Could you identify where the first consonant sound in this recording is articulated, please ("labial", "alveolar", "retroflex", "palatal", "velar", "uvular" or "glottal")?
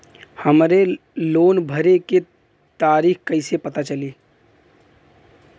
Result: glottal